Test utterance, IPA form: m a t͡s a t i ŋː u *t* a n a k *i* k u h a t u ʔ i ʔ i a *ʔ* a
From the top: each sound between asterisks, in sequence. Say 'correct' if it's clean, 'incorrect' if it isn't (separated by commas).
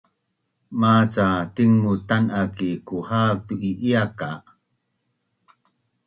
correct, correct, incorrect